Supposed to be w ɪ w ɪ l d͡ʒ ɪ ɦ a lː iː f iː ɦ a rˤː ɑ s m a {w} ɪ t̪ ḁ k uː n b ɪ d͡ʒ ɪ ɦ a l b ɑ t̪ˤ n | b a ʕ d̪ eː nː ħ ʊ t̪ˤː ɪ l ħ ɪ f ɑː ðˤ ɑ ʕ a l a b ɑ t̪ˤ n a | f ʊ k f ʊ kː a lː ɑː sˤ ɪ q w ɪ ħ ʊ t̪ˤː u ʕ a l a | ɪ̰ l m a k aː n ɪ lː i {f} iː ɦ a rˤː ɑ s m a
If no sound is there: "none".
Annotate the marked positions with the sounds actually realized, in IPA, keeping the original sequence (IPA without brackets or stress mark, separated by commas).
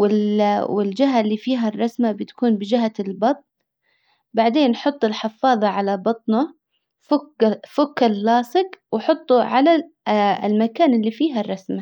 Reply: b, f